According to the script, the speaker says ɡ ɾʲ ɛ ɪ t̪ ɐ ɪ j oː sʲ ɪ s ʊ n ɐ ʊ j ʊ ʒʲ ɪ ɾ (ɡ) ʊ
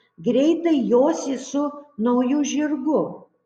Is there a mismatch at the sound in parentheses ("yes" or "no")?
no